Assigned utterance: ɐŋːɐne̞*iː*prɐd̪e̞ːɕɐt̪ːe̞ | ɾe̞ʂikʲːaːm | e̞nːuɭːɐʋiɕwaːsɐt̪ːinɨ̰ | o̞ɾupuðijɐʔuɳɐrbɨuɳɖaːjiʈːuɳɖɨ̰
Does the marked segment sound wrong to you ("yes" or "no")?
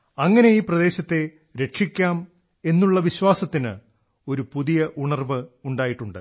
no